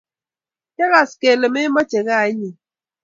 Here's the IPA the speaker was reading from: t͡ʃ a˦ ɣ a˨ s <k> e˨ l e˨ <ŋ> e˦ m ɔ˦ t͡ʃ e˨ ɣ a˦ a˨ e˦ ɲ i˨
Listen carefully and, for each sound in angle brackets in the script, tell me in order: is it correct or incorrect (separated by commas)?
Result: correct, incorrect